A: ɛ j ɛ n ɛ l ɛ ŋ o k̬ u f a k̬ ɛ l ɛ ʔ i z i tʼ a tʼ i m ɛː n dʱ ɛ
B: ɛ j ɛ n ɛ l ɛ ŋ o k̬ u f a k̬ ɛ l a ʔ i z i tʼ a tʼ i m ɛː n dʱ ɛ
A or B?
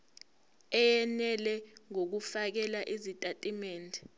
B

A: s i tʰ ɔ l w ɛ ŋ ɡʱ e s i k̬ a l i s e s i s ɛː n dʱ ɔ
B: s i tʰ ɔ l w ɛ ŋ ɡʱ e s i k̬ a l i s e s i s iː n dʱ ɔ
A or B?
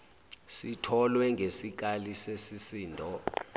B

